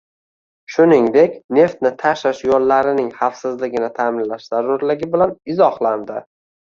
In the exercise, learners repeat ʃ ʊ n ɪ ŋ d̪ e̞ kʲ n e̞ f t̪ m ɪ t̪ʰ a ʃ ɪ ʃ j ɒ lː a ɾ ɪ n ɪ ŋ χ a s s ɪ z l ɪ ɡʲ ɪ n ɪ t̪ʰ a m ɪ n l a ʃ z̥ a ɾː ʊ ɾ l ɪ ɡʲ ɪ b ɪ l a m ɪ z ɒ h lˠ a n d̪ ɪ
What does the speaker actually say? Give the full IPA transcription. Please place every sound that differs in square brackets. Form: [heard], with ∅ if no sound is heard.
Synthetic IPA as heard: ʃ ʊ n ɪ ŋ d̪ e̞ kʲ n e̞ f t̪ [n] ɪ t̪ʰ a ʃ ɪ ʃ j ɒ lː a ɾ ɪ n ɪ ŋ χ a [f] s ɪ z l ɪ ɡʲ ɪ n ɪ t̪ʰ a m ɪ n l a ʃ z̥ a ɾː ʊ ɾ l ɪ ɡʲ ɪ b ɪ l a [n] ɪ z ɒ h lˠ a n d̪ ɪ